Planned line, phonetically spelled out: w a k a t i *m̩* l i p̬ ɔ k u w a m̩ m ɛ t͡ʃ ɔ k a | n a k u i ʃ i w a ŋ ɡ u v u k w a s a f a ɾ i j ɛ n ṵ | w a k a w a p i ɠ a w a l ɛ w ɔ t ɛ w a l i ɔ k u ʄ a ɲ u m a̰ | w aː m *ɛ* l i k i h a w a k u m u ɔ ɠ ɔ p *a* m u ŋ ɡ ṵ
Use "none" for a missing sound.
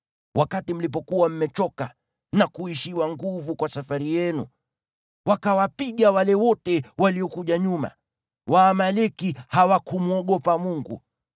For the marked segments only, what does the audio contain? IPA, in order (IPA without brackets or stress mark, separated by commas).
m̩, a, a